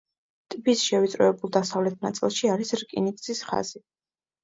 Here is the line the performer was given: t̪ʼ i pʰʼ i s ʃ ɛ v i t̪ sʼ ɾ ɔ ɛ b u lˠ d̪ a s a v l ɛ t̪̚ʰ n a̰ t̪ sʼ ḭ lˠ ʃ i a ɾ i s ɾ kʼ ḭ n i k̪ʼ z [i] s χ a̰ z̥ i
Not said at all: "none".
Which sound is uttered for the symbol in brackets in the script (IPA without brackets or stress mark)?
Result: i